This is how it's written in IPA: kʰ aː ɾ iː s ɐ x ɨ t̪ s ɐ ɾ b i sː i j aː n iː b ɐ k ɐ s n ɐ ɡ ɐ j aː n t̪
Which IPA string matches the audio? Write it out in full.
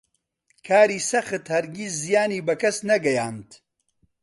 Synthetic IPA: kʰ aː ɾ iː s ɐ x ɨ t̪ h ɐ ɾ ɡ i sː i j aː n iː b ɐ k ɐ s n ɐ ɡ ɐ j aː n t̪